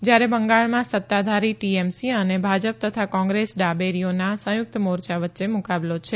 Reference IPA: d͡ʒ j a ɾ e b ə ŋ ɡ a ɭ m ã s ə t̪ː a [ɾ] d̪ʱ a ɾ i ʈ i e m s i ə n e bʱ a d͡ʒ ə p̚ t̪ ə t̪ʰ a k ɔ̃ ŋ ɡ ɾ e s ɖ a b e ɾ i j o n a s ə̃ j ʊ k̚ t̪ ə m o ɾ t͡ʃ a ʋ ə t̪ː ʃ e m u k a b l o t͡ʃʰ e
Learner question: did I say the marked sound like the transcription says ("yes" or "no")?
no